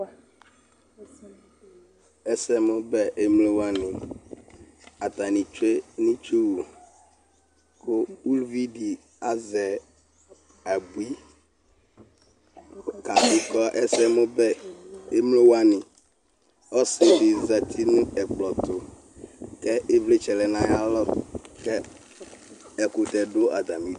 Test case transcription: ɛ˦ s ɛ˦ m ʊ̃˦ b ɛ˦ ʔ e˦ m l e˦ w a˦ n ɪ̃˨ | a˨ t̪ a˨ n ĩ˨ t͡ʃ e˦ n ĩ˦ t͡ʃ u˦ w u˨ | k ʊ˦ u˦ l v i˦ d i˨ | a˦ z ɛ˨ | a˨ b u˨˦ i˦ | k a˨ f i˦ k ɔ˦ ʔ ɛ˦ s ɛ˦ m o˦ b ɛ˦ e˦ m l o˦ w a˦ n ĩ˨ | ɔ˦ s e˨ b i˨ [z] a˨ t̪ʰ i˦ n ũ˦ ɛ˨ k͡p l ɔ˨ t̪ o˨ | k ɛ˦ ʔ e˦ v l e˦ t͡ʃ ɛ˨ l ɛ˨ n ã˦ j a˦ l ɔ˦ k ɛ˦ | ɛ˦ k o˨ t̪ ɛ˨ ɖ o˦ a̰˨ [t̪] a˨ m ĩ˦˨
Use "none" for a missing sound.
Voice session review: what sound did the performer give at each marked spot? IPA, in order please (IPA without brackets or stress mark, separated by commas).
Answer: z, d̪